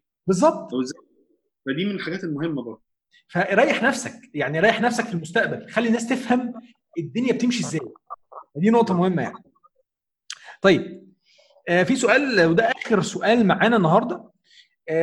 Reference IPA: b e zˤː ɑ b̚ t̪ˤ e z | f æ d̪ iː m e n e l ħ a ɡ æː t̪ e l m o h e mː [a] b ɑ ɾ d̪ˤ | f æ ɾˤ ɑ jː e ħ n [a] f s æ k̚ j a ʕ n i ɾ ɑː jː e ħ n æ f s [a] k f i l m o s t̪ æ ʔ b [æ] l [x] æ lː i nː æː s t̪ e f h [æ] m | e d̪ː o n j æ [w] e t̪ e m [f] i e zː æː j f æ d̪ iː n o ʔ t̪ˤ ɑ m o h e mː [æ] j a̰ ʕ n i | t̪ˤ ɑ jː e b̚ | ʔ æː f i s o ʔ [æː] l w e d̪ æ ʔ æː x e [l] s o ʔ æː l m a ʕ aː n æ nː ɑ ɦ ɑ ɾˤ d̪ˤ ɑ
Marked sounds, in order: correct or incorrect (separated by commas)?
incorrect, incorrect, incorrect, correct, correct, correct, incorrect, incorrect, correct, correct, incorrect